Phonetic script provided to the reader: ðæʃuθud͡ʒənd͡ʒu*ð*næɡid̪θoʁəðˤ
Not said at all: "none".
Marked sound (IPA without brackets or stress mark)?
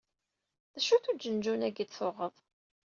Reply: none